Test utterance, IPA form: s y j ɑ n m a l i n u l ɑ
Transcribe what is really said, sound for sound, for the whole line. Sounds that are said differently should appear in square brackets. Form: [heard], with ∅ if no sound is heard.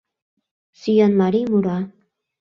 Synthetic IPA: s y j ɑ n m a [ɾ] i [m] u [ɾ] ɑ